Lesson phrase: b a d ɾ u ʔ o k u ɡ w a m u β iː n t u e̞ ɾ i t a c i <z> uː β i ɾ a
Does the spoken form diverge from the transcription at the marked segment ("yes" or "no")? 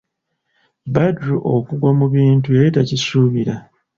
yes